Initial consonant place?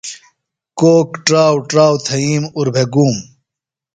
velar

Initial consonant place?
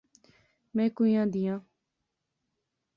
labial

